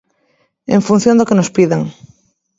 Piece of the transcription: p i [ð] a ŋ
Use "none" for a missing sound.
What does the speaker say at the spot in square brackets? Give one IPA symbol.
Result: ð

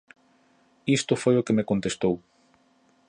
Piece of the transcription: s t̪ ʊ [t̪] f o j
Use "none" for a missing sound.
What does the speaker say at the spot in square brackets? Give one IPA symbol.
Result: none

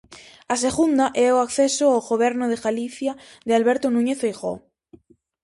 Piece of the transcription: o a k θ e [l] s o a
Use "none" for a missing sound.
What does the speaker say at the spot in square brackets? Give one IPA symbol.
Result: none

